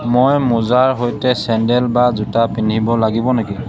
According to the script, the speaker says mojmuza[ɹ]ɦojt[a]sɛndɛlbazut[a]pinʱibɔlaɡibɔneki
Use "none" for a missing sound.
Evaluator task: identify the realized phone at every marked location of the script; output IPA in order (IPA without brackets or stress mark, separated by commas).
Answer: ɹ, ɛ, a